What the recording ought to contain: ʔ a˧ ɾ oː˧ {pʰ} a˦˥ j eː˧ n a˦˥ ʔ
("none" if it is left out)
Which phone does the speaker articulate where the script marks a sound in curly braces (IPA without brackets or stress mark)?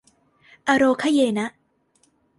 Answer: kʰ